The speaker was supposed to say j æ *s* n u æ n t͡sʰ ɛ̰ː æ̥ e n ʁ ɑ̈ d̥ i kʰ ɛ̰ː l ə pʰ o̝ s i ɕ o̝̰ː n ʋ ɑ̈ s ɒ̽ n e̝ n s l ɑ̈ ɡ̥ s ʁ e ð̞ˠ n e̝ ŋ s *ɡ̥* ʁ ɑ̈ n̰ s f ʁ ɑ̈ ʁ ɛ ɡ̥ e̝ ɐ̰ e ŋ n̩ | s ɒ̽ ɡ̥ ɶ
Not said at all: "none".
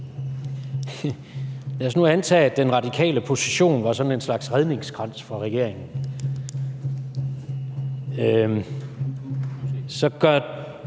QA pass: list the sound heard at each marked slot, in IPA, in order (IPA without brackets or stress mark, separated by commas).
s, ɡ̥